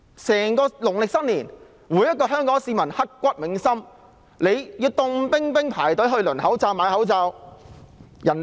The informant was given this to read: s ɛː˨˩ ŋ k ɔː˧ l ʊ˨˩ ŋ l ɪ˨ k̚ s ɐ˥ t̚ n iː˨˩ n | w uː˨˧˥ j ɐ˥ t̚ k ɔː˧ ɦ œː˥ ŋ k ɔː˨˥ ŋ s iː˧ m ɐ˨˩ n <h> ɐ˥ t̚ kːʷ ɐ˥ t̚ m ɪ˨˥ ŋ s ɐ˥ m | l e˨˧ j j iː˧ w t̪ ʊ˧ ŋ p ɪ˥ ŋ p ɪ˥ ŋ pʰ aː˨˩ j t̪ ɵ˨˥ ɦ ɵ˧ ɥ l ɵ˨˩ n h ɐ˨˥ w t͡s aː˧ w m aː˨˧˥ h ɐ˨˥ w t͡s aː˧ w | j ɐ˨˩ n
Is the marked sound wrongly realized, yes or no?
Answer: no